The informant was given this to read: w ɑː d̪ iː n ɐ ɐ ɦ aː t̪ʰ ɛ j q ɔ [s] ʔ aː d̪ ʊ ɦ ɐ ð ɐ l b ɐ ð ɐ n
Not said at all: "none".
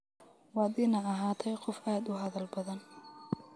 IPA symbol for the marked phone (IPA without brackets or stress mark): f